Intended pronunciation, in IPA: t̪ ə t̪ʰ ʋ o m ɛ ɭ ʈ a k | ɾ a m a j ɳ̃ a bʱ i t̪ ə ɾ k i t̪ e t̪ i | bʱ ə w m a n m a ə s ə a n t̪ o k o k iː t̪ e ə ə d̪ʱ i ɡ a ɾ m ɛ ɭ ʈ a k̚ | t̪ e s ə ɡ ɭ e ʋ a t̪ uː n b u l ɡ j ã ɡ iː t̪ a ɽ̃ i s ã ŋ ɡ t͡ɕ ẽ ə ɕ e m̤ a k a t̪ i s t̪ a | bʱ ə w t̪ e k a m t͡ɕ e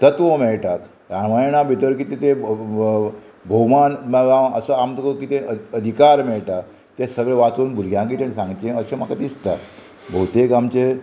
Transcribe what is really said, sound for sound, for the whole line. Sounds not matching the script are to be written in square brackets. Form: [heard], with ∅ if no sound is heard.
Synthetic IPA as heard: t̪ ə [t̪] ʋ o m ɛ ɭ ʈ a k | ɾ a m a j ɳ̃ a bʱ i t̪ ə ɾ k i t̪ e t̪ [e] | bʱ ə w m a n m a ə s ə a [m] t̪ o k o k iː t̪ e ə ə d̪ʱ i [k] a ɾ m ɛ ɭ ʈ a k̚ | t̪ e s ə ɡ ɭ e ʋ a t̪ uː n b u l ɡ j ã ɡ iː t̪ a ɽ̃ i s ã ŋ ɡ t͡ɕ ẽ ə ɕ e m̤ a k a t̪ i s t̪ a | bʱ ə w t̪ e k a m t͡ɕ e